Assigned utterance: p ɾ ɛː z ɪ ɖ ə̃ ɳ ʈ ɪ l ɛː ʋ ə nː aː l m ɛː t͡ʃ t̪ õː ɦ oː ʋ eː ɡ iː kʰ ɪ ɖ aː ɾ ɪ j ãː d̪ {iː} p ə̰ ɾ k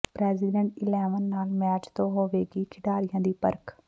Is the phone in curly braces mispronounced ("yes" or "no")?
no